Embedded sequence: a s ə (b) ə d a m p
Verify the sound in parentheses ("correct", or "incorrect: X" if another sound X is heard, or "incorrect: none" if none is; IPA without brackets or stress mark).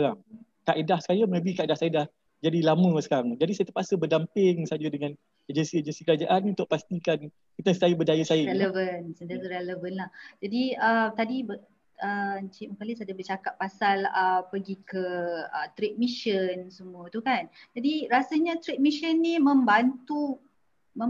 correct